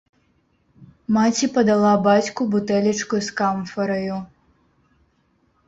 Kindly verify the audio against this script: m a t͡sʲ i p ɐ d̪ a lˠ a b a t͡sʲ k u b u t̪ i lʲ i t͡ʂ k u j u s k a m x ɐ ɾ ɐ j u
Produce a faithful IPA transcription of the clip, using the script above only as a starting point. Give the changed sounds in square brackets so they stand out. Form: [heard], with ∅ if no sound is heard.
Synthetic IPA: m a t͡sʲ i p ɐ d̪ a lˠ a b a t͡sʲ k u b u t̪ [ɛ] lʲ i t͡ʂ k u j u s k a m [f] ɐ ɾ ɐ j u